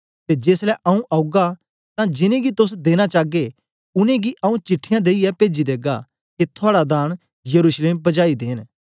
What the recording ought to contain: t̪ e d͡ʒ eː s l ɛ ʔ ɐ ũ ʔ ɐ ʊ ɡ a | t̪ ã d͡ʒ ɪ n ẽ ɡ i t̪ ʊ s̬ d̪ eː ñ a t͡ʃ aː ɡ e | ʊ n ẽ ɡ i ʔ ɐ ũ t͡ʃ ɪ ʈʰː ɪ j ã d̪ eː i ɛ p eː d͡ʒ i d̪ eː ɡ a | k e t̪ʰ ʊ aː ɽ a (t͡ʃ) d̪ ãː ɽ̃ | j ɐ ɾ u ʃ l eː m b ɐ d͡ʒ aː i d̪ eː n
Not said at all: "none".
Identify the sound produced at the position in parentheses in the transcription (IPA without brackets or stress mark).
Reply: none